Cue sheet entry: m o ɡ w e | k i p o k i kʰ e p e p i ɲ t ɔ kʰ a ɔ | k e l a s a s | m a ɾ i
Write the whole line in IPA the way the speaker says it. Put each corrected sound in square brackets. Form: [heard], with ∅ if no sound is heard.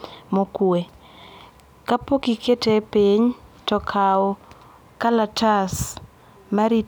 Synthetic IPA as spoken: m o [k] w e | k [a] p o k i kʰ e [t] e p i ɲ t ɔ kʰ a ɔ | k [a] l a [t] a s | m a ɾ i